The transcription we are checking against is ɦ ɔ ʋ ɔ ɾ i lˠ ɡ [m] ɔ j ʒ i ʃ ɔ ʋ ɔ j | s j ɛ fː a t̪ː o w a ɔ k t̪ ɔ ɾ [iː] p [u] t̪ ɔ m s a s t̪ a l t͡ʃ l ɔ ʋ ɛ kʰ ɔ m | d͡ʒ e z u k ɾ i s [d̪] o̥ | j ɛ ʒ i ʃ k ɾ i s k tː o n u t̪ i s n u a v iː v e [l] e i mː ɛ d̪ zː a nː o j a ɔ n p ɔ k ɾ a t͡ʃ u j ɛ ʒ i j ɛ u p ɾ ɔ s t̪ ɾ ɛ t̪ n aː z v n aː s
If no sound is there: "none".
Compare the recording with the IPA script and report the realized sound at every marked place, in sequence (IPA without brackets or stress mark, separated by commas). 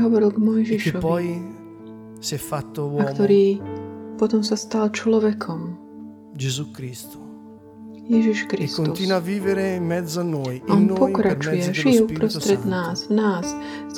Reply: m, iː, ɔ, t̪, ɾ